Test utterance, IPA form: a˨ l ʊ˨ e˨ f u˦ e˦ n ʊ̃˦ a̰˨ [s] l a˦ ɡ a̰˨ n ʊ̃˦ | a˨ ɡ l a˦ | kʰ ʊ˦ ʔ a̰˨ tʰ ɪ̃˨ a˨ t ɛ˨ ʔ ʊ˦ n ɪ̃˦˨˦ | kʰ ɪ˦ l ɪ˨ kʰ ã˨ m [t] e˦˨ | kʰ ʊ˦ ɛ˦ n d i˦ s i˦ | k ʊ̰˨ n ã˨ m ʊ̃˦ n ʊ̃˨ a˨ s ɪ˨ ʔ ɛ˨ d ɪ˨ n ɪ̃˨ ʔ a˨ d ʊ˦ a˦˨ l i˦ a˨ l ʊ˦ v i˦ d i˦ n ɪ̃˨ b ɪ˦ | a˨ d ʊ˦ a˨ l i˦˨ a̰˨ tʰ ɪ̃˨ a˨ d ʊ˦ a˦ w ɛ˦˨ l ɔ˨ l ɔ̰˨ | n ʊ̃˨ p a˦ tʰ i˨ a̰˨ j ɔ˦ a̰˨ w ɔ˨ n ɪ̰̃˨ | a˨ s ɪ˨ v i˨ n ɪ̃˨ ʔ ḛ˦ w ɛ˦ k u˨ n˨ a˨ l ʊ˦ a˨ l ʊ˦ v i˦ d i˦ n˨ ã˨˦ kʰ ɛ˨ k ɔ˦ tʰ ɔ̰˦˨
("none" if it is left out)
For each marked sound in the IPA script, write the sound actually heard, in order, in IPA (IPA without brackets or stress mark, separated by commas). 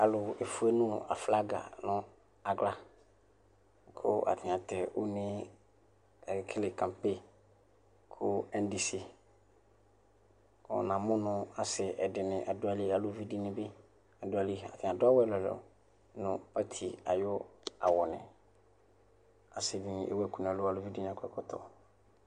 f, p